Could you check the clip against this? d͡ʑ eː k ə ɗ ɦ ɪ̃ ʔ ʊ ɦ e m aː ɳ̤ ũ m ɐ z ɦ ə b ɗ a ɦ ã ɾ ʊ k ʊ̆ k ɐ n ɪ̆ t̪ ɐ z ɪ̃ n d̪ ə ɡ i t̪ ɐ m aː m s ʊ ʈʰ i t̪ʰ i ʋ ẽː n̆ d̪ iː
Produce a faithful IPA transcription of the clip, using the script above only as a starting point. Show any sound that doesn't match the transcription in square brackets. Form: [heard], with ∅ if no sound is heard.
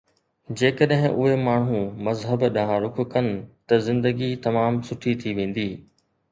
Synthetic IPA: d͡ʑ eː k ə ɗ ɦ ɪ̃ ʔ ʊ ɦ e m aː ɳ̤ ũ m ɐ z ɦ ə b ɗ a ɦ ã ɾ ʊ k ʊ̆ k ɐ n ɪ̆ t̪ ɐ z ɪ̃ n d̪ ə ɡ i t̪ ɐ m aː m s ʊ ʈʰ i t̪ʰ i ʋ ẽː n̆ d̪ iː

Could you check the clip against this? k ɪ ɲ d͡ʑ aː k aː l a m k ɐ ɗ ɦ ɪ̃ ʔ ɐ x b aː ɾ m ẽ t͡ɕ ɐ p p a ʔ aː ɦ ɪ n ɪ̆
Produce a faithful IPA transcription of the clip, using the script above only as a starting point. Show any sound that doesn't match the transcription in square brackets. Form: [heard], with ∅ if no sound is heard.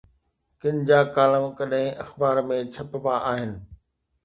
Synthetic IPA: k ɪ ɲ d͡ʑ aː k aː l [ə] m k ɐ ɗ ɦ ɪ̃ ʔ ɐ x b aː ɾ m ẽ [t͡ɕʰ] ɐ p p a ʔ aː ɦ ɪ n ɪ̆

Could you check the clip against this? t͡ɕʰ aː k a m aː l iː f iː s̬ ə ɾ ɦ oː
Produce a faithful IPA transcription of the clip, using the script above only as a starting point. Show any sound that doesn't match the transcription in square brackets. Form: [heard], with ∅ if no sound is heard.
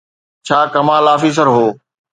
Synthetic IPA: t͡ɕʰ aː k [ɐ] m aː l [aː] f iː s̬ ə ɾ ɦ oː

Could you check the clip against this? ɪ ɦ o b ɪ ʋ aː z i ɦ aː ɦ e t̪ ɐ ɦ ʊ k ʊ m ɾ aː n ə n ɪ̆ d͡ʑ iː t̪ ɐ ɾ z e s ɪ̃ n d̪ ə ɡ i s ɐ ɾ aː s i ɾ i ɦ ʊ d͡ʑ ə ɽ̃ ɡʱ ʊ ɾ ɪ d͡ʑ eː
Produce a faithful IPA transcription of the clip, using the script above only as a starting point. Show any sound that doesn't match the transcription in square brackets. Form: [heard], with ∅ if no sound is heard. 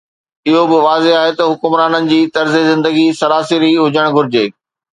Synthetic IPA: ɪ ɦ o b ɪ ʋ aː z [e] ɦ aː ɦ e t̪ ɐ ɦ ʊ k ʊ m ɾ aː n ə n ɪ̆ d͡ʑ iː t̪ ɐ ɾ z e [z] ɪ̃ n d̪ ə ɡ i s ɐ ɾ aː s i ɾ i ɦ ʊ d͡ʑ ə ɽ̃ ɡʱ ʊ ɾ ɪ d͡ʑ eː

